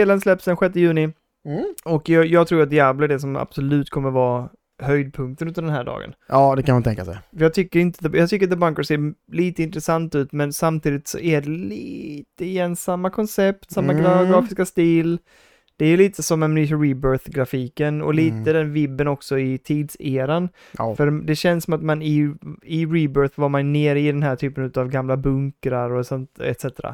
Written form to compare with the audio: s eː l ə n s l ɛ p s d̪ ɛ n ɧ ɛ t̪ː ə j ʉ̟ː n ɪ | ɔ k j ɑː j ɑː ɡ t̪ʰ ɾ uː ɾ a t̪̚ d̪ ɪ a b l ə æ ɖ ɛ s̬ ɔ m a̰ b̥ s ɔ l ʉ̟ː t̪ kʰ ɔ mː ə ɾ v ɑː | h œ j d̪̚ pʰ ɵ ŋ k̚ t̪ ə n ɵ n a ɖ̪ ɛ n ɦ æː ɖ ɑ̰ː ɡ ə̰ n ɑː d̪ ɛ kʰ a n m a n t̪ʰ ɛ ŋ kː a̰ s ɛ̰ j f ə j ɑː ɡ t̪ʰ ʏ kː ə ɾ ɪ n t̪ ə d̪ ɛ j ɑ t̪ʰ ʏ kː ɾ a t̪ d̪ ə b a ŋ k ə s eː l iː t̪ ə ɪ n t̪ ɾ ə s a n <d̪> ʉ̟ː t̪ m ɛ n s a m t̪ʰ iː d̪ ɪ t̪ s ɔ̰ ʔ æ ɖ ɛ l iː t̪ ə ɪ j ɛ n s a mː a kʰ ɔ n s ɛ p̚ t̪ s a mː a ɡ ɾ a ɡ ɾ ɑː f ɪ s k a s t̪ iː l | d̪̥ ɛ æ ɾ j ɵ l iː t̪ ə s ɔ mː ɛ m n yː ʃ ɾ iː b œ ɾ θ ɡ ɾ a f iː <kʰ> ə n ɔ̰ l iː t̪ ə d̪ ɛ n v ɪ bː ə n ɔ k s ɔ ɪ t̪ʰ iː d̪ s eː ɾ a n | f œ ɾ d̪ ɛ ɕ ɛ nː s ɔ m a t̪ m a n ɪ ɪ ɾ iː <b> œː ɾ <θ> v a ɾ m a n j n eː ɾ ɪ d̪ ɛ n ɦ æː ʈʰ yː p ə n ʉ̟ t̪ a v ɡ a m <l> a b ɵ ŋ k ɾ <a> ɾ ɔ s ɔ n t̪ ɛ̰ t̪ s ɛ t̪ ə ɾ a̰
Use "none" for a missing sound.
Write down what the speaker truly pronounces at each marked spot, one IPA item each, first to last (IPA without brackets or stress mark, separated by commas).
t̪, k, b, θ, l, a